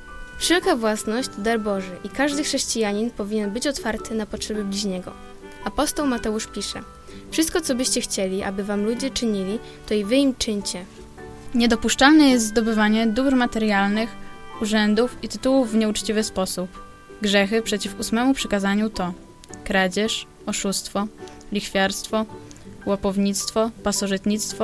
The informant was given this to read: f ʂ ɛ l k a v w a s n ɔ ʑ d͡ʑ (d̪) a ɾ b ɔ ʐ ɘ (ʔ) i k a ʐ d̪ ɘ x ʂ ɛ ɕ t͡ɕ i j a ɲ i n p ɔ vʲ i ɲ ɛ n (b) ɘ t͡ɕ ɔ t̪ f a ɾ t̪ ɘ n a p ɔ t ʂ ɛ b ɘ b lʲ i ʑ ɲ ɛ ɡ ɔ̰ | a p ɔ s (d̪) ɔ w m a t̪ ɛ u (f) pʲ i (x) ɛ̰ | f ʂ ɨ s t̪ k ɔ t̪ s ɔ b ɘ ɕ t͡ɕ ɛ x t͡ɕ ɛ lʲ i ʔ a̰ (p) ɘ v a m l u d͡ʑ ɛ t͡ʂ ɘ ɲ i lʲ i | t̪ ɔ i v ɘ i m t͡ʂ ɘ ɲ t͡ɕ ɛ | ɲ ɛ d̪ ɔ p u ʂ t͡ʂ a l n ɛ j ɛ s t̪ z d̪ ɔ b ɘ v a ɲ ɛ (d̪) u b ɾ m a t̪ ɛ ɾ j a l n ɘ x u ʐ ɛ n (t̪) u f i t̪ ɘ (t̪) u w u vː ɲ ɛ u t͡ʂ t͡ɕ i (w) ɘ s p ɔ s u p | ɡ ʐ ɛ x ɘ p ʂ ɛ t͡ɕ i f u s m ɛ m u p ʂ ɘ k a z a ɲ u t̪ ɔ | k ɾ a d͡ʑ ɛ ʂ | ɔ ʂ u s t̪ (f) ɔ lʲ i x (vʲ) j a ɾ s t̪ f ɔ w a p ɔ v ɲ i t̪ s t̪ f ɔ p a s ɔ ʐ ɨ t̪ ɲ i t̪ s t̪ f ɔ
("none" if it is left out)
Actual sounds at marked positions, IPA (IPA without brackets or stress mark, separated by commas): d̪, ʔ, b, t̪, ʂ, ʂ, b, d̪, d̪, t̪, v, f, fʲ